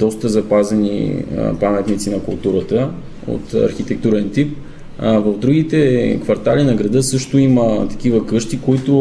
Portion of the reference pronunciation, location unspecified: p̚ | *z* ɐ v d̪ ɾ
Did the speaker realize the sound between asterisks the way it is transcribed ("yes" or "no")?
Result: no